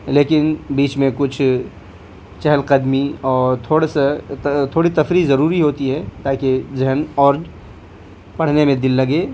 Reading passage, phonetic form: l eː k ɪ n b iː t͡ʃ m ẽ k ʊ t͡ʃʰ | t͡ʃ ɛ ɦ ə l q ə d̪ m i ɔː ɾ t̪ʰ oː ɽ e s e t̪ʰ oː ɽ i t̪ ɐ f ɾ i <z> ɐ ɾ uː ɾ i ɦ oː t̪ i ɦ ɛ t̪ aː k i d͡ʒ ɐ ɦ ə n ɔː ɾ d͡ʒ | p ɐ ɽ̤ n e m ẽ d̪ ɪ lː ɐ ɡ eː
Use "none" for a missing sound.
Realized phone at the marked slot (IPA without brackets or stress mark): z